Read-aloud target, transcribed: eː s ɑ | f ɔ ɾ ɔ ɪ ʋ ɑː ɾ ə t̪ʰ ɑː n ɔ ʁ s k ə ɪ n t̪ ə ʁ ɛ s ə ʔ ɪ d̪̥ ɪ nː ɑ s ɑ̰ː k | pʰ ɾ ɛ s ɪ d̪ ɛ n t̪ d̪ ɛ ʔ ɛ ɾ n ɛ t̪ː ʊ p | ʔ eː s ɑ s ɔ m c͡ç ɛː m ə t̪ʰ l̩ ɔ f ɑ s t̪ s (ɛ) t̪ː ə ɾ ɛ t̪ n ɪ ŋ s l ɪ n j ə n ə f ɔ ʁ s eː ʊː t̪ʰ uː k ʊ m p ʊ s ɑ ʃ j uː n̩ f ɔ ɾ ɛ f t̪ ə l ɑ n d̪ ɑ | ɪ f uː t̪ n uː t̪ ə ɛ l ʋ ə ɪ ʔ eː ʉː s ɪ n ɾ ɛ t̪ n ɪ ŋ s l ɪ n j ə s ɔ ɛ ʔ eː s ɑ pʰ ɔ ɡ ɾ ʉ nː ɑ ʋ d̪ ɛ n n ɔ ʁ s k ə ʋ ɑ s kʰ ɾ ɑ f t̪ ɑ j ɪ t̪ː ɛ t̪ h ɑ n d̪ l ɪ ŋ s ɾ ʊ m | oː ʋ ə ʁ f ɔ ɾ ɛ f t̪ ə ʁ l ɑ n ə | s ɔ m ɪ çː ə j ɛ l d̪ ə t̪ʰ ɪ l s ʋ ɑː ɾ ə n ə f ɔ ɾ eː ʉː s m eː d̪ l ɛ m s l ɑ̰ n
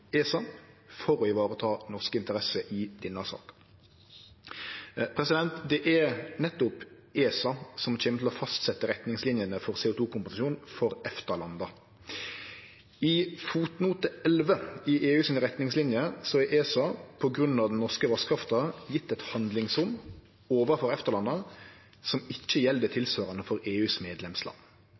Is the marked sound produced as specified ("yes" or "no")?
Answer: yes